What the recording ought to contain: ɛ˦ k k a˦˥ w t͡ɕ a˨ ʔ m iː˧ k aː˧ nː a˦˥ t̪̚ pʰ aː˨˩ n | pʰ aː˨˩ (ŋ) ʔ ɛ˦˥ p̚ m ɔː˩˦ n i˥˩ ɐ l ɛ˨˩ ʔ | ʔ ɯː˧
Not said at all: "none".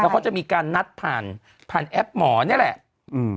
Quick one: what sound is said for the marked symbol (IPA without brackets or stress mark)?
n